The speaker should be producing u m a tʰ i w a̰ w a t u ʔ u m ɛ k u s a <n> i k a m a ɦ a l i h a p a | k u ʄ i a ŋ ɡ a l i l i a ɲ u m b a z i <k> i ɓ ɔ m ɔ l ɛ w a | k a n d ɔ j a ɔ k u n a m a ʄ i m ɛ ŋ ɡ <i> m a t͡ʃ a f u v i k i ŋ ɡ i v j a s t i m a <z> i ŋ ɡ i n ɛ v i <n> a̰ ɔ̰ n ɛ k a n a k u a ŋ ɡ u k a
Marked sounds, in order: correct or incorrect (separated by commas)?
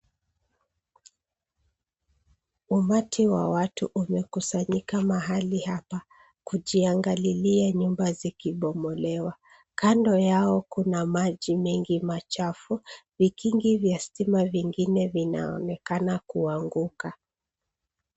incorrect, correct, correct, incorrect, correct